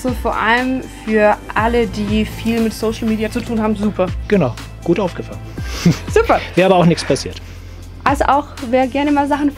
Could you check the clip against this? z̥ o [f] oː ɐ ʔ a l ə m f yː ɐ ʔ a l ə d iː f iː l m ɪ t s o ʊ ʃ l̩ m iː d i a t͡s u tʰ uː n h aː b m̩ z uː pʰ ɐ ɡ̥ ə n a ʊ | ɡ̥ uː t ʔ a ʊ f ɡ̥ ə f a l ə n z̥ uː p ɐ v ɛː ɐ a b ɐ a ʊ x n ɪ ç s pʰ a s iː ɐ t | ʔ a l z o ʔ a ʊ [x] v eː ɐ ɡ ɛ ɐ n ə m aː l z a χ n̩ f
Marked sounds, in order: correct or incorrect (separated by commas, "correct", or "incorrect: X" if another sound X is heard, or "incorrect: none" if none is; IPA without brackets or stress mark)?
correct, correct